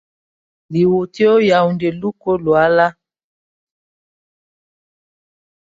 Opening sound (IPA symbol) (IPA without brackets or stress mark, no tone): l